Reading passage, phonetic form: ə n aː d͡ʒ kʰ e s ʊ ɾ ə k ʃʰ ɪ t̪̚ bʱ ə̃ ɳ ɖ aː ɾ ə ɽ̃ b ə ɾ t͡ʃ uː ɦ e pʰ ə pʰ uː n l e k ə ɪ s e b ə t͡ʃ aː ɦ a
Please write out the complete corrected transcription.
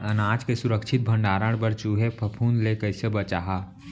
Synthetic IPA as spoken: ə n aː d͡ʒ k e s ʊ ɾ ə k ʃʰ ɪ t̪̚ bʱ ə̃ ɳ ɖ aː ɾ ə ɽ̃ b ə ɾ t͡ʃ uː ɦ e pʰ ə pʰ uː n l e k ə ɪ s e b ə t͡ʃ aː ɦ a